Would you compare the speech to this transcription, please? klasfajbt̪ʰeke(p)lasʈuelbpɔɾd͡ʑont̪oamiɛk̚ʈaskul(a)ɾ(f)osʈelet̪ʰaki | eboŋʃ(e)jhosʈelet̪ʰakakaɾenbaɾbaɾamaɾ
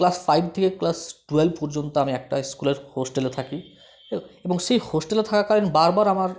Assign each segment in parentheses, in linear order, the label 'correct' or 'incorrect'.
incorrect: k, incorrect: e, incorrect: h, correct

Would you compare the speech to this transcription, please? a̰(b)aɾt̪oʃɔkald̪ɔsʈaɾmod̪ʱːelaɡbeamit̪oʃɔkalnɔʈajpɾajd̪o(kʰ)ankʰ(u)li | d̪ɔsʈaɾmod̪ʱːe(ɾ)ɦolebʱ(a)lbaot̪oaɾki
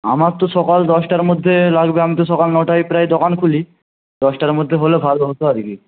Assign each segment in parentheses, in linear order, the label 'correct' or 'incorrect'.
incorrect: m, incorrect: k, correct, incorrect: none, correct

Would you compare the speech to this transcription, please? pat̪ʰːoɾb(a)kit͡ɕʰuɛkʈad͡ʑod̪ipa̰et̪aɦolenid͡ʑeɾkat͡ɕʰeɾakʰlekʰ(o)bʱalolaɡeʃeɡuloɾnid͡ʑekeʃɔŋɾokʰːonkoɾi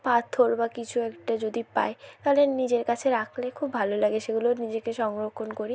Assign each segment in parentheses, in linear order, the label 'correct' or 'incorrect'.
correct, incorrect: u

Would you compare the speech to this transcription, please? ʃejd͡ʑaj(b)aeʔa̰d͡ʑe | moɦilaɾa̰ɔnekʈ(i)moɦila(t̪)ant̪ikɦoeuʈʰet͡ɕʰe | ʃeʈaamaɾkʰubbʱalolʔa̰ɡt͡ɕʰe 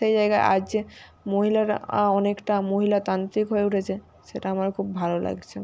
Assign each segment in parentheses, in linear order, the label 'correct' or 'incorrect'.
incorrect: ɡ, incorrect: a, correct

